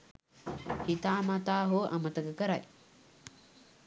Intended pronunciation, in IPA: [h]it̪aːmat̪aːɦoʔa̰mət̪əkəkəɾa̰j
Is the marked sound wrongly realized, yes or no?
no